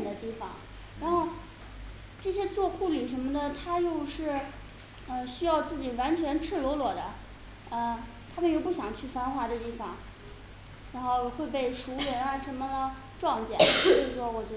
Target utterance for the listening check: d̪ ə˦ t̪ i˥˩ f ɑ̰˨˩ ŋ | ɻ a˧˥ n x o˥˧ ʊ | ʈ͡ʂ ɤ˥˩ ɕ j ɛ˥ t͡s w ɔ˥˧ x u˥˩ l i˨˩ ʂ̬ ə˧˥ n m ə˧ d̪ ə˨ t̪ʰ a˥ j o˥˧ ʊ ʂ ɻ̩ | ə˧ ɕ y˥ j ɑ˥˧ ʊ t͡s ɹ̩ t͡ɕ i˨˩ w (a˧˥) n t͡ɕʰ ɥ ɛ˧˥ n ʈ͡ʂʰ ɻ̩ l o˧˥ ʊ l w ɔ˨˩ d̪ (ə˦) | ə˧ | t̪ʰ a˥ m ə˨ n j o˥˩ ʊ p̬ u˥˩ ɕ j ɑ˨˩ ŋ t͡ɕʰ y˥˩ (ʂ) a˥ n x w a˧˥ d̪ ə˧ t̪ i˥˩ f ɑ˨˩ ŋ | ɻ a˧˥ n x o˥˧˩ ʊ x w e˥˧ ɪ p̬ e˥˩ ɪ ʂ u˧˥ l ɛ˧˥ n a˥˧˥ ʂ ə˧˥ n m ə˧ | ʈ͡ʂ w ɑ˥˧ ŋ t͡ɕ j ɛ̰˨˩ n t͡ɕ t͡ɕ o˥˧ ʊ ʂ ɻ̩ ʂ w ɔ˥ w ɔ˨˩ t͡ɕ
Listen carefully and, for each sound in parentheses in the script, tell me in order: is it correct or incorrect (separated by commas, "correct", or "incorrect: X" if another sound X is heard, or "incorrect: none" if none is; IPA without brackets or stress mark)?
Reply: correct, correct, incorrect: f